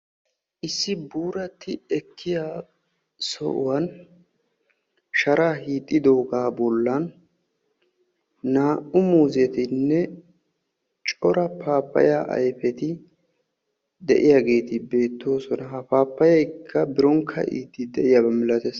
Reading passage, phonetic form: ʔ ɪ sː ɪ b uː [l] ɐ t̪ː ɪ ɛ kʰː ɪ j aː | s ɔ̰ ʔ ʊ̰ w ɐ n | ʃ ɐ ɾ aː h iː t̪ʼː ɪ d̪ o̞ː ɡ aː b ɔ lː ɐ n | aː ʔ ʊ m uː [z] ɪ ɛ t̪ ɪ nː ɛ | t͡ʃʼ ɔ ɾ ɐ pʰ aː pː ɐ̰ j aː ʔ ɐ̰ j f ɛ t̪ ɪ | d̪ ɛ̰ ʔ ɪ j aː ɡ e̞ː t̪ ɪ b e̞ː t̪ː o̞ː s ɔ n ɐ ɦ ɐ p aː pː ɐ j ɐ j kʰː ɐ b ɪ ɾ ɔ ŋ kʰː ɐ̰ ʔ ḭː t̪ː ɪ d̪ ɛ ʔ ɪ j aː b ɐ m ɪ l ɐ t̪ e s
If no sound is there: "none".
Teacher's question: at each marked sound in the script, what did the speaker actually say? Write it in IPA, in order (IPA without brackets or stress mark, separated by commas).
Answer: ɾ, z